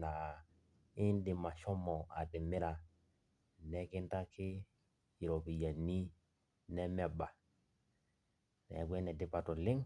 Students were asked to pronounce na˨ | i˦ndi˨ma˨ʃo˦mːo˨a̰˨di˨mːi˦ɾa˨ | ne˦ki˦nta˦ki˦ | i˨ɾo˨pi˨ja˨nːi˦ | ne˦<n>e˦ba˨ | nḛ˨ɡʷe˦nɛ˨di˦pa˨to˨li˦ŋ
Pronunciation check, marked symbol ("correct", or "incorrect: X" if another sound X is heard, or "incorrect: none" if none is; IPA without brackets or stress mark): incorrect: m